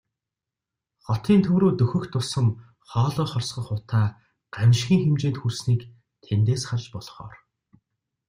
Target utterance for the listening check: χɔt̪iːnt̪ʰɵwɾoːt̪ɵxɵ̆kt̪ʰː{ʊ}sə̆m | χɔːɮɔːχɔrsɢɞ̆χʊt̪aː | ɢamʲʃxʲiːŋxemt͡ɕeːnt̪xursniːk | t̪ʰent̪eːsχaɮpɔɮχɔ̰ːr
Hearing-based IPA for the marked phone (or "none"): ʊ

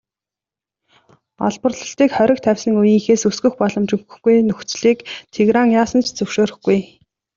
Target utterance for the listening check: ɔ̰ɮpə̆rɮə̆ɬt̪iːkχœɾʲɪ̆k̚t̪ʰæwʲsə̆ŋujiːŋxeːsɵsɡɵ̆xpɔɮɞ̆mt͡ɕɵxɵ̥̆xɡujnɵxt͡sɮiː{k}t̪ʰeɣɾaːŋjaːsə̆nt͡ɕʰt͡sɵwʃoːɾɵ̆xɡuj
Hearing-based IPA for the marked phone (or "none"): k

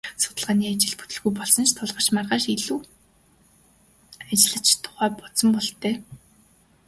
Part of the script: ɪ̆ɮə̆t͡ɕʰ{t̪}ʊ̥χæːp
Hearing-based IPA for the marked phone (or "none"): t̪ʰ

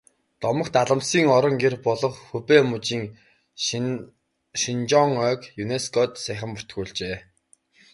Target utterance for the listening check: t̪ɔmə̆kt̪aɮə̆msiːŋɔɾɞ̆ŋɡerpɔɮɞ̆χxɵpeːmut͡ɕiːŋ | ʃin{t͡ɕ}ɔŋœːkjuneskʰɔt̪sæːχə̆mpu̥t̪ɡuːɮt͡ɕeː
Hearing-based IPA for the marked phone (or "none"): t͡ɕ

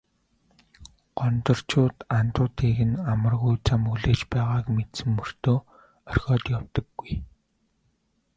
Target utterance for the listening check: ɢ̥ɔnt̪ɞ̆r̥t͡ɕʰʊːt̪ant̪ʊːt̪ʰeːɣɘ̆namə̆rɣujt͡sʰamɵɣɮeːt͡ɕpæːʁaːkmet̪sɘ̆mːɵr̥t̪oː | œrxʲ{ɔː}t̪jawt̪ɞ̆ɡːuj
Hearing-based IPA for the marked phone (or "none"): ɔː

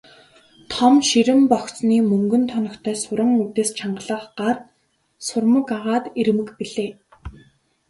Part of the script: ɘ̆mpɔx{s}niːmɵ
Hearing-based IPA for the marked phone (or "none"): t͡s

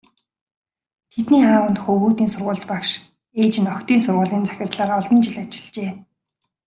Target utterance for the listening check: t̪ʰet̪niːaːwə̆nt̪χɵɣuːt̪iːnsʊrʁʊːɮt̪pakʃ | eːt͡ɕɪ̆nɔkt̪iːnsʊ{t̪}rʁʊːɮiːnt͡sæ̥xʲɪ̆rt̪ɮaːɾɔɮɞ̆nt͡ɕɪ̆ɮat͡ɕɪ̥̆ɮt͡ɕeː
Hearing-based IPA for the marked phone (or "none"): none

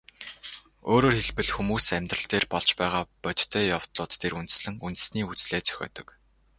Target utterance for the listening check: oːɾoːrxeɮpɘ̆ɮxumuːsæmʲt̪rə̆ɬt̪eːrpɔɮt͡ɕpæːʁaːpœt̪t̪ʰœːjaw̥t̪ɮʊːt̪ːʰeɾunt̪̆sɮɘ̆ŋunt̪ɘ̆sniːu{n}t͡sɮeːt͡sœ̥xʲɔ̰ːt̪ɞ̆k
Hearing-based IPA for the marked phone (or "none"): none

